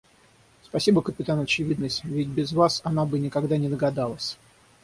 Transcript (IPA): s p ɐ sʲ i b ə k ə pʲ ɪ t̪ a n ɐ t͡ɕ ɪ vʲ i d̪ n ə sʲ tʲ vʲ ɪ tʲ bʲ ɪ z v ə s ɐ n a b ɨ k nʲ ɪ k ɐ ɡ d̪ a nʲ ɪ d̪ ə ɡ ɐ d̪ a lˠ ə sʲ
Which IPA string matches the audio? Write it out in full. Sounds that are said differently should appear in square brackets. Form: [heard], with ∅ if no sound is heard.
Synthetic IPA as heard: s p ɐ sʲ i b ə k ə pʲ ɪ t̪ a n ɐ t͡ɕ ɪ vʲ i d̪ n ə sʲ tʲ vʲ ɪ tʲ bʲ ɪ z v [a] s ɐ n a b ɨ [∅] nʲ ɪ k ɐ ɡ d̪ a nʲ ɪ d̪ ə ɡ ɐ d̪ a lˠ ə sʲ